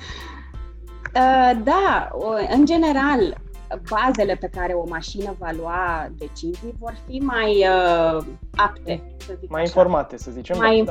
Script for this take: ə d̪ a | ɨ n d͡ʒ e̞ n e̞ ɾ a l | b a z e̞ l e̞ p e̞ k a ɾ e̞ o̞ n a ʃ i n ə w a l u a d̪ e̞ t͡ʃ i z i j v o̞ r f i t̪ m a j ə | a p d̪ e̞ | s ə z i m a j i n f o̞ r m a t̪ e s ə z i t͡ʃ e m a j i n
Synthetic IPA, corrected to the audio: ə d̪ a | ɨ n d͡ʒ e̞ n e̞ ɾ a l | b a z e̞ l e̞ p e̞ k a ɾ e̞ o̞ m a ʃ i n ə v a l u a d̪ e̞ t͡ʃ i z i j v o̞ r f i m a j ə | a p t̪ e̞ | s ə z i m a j i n f o̞ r m a t̪ e s ə z i t͡ʃ e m a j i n